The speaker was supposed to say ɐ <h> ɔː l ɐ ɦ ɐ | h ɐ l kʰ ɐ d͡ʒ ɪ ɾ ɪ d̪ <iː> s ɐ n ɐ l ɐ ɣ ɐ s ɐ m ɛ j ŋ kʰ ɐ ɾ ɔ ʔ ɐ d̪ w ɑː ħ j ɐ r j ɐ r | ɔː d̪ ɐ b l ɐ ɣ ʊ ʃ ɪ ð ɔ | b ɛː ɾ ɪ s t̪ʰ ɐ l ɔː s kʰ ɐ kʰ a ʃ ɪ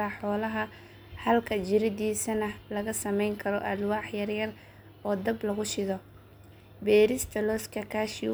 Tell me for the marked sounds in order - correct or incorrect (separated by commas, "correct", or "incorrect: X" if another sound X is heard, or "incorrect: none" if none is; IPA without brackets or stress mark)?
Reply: incorrect: ħ, correct